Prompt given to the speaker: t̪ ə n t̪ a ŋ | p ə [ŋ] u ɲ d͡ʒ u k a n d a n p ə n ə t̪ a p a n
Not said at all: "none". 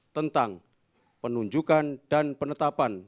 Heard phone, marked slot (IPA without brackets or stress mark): n